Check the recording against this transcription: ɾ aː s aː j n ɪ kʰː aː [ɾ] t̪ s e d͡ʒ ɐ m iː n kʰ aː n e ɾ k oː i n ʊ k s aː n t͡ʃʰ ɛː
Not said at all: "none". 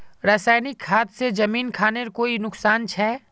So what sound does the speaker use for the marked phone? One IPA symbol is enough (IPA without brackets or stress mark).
none